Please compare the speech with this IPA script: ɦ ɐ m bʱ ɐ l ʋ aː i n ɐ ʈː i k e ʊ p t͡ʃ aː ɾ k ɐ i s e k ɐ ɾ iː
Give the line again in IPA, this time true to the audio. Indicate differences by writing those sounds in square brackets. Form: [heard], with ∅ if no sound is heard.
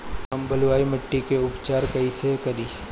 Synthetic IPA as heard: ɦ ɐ m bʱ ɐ l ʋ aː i [m] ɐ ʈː i k e ʊ p t͡ʃ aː ɾ k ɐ i s e k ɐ ɾ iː